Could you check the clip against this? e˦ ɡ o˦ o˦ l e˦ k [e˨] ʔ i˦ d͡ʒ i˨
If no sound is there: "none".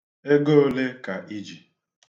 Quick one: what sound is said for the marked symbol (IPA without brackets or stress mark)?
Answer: a˨